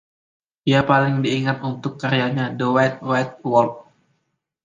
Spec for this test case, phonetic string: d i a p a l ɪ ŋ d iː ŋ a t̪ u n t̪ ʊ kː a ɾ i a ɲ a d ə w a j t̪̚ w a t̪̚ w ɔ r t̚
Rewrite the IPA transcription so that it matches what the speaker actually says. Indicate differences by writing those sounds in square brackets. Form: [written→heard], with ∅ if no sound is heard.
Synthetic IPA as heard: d i a p a l ɪ ŋ d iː ŋ a t̪ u n t̪ ʊ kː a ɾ i a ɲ a d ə w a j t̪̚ w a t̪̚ w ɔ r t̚